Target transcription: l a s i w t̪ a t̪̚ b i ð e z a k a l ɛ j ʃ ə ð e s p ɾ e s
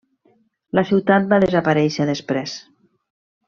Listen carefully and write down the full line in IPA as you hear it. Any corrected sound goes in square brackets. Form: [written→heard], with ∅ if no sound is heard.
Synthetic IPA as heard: l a s i w t̪ a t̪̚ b [i→a] ð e z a [k→p] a [l→ɾ] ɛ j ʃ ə ð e s p ɾ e s